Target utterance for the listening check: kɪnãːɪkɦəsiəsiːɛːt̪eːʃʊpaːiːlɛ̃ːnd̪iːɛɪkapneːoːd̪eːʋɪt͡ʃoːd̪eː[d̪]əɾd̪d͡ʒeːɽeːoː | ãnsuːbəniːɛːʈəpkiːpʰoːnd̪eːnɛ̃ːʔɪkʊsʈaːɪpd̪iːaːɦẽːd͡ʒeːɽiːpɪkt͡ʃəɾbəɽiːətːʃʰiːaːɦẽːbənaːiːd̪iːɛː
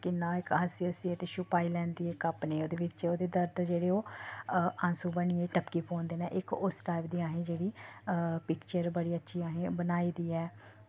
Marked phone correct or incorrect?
correct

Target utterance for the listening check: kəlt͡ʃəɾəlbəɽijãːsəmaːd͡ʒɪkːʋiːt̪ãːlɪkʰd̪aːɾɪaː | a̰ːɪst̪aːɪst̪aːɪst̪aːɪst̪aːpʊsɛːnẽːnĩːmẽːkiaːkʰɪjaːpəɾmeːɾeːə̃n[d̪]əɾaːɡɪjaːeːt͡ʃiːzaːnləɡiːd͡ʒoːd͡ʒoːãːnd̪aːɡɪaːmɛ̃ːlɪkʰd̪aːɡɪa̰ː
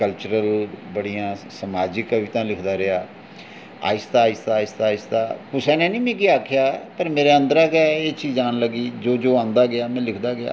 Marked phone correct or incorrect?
correct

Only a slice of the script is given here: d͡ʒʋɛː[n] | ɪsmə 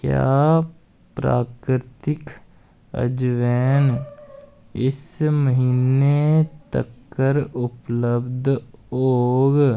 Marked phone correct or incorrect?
correct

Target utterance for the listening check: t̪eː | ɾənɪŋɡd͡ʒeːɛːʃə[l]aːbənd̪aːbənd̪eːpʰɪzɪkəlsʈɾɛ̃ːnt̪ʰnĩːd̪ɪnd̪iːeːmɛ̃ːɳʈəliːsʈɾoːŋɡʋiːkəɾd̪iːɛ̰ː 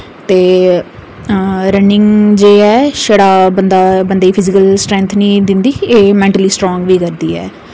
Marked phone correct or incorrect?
incorrect: ɽ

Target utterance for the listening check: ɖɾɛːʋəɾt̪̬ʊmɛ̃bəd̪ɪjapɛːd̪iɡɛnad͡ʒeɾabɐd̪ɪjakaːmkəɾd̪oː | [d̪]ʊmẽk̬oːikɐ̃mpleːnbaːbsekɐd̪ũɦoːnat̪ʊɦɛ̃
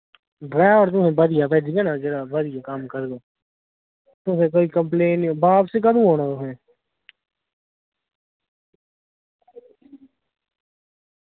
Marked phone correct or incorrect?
incorrect: t̪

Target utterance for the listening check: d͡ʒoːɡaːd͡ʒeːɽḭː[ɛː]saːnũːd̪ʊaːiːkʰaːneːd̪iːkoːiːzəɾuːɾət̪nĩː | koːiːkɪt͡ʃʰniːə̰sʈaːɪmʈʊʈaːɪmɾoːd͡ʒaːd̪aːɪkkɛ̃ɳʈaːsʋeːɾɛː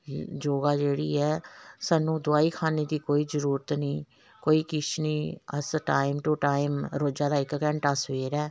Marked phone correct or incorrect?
correct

